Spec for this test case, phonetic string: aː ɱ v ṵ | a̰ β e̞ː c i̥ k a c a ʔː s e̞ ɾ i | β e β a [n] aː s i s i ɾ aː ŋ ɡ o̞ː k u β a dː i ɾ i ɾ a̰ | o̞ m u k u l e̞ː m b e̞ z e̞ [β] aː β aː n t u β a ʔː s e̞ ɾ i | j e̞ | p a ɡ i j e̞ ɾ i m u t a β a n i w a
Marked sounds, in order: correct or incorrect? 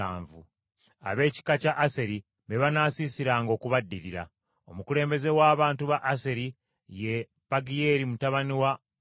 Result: correct, incorrect

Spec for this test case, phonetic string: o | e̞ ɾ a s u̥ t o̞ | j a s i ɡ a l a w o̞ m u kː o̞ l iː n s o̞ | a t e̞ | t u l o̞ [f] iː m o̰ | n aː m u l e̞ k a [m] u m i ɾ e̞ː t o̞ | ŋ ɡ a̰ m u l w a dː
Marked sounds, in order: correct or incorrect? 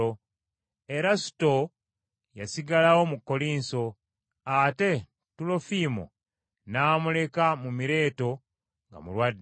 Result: correct, correct

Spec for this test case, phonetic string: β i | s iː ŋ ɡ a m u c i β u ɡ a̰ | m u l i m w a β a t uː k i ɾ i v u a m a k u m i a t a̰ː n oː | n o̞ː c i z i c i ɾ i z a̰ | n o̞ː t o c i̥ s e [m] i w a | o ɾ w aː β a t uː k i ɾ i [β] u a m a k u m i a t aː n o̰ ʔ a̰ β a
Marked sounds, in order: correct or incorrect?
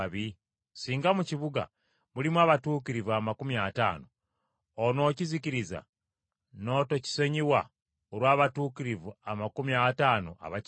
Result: incorrect, incorrect

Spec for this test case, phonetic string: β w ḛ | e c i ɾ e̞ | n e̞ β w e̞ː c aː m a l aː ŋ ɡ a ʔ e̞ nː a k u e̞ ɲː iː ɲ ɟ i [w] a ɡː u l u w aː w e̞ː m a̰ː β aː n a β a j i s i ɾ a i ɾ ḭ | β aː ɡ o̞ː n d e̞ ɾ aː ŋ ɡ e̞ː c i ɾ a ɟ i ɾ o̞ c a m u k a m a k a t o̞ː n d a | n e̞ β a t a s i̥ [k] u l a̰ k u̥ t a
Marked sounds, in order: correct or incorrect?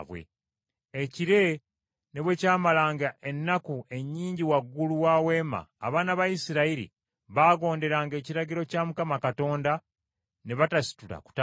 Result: correct, incorrect

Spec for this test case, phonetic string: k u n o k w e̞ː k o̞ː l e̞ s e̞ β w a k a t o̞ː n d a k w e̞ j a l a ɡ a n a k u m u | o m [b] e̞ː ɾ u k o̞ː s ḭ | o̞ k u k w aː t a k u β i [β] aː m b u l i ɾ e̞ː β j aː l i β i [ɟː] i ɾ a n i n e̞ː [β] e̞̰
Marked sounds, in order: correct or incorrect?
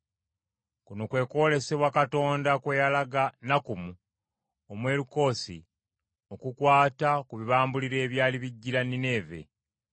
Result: incorrect, correct, correct, incorrect

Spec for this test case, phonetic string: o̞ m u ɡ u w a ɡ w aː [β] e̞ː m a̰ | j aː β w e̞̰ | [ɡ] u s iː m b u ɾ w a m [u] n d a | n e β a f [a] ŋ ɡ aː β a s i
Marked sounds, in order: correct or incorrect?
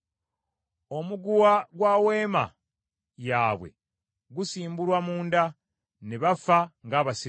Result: incorrect, correct, incorrect, correct

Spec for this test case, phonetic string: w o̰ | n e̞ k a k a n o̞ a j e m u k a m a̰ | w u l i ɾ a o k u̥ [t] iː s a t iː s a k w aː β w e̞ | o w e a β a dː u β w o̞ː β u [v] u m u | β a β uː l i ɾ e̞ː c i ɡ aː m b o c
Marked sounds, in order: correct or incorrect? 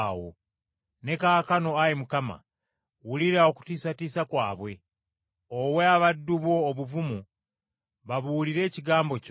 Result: correct, correct

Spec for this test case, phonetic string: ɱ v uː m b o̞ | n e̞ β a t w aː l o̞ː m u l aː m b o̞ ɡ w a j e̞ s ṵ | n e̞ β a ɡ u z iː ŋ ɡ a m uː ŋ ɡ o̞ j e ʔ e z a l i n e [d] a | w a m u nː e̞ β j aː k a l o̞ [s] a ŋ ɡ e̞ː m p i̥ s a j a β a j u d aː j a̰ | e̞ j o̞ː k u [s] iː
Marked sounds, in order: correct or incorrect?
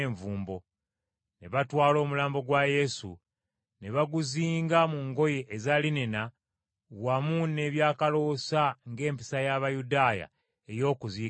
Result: incorrect, correct, incorrect

